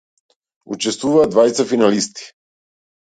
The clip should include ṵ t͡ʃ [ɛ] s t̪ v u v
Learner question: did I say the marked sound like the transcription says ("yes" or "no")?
yes